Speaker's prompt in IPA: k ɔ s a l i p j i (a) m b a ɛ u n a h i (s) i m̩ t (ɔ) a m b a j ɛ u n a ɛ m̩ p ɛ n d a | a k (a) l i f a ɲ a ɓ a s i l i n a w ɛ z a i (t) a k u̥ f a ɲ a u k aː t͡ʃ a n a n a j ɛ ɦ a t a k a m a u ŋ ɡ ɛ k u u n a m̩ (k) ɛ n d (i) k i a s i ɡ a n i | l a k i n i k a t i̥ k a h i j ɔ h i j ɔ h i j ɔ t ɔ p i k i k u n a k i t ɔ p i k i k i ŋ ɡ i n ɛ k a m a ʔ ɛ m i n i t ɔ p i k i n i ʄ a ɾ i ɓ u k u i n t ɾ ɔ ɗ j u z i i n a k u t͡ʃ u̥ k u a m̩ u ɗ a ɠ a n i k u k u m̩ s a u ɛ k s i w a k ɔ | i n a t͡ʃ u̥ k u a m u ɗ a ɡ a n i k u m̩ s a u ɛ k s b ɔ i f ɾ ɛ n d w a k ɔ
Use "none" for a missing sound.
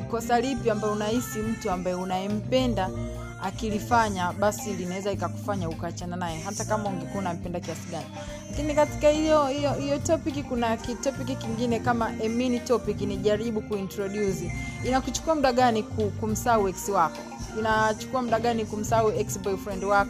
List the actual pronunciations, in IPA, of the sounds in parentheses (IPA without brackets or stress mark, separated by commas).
a, s, u, i, k, p, a